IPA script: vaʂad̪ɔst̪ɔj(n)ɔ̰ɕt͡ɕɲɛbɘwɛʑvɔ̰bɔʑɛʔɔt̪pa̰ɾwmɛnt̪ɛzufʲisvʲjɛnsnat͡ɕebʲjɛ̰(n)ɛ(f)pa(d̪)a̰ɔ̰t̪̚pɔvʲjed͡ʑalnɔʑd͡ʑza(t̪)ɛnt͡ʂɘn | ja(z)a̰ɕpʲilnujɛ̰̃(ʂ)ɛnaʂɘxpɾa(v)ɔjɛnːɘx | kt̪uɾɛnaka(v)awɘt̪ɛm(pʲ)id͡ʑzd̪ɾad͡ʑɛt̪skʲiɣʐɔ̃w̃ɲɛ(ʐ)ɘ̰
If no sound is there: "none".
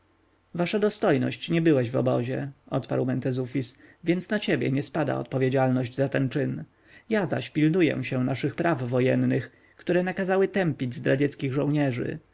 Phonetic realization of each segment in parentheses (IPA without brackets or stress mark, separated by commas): n, ɲ, s, d̪, t̪, z, ɕ, vː, z, pʲ, ʐ